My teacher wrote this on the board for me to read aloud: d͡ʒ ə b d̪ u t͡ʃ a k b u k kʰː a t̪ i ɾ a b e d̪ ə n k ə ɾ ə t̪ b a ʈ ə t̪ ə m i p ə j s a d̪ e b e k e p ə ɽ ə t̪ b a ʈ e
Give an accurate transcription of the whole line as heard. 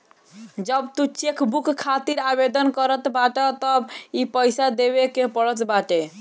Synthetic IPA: d͡ʒ ə b t̪ u t͡ʃ e k b u k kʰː a t̪ i ɾ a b e d̪ ə n k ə ɾ ə t̪ b a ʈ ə t̪ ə b i p ə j s a d̪ e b e k e p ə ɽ ə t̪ b a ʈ e